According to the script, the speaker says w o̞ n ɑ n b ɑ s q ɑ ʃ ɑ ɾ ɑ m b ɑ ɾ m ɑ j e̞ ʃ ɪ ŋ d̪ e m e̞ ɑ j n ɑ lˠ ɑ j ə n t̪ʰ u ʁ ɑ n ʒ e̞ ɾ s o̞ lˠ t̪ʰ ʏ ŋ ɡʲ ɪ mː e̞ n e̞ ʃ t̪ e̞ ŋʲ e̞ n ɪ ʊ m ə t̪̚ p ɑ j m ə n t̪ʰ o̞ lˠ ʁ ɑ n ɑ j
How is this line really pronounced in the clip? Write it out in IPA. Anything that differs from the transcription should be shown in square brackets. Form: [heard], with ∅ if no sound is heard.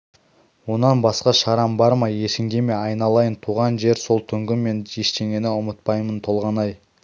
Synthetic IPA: w o̞ n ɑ n b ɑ s q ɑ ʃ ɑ ɾ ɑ m b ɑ ɾ m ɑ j e̞ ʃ ɪ ŋ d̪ e m e̞ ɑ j n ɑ lˠ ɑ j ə n t̪ʰ u ʁ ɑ n ʒ e̞ ɾ s o̞ lˠ t̪ʰ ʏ ŋ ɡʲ ɪ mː e̞ n e̞ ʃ t̪ e̞ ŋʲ e̞ n ɪ ʊ m ə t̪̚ p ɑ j m ə n t̪ʰ o̞ lˠ ʁ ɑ n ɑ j